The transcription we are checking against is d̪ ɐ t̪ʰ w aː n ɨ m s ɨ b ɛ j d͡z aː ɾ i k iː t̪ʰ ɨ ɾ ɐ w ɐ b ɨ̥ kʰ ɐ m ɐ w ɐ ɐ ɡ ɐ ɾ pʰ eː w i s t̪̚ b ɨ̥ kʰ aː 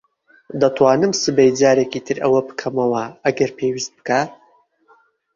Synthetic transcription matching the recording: d̪ ɐ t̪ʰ w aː n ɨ m s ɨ b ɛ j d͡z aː ɾ e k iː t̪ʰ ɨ ɾ ɐ w ɐ b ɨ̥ kʰ ɐ m ɐ w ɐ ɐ ɡ ɐ ɾ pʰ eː w i s t̪̚ b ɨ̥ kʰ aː